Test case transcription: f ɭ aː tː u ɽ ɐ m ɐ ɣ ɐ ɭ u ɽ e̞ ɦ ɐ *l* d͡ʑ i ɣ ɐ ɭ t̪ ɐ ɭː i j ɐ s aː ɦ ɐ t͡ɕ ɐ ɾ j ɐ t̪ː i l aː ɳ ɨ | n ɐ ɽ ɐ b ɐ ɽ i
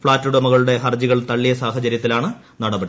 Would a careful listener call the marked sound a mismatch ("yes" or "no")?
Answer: yes